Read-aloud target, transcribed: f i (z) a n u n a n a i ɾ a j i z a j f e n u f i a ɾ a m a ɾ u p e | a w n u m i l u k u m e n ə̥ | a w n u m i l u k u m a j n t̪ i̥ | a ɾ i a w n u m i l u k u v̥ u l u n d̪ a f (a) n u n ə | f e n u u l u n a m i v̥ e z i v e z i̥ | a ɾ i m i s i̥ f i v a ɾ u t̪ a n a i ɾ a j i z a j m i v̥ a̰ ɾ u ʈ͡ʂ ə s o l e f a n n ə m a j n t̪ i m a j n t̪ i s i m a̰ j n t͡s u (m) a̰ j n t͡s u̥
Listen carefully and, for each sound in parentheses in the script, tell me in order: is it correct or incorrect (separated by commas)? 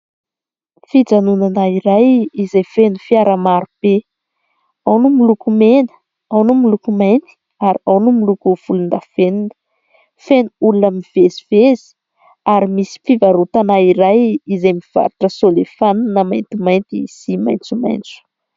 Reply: incorrect, incorrect, correct